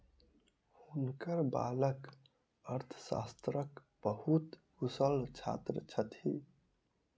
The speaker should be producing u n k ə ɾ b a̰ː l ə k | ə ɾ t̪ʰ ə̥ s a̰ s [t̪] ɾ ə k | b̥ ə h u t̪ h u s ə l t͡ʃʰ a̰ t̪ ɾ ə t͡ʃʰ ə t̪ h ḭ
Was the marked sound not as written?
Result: no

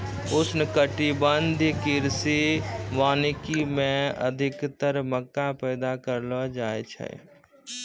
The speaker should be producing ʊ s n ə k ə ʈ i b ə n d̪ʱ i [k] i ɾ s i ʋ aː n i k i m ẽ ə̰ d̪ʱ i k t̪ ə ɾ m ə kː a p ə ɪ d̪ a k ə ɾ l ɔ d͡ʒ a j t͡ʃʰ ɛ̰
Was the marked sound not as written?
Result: no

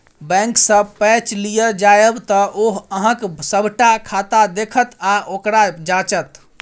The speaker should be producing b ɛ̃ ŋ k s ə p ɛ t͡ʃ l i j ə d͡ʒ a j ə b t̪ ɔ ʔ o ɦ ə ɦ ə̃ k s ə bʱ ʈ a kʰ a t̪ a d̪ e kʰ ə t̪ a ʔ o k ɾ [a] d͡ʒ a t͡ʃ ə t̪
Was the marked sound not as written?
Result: no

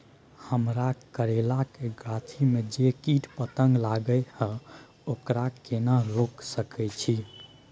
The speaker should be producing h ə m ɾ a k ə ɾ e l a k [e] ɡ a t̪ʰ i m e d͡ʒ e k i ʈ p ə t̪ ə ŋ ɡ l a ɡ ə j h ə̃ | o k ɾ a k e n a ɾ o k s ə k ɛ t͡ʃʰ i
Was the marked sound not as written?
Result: no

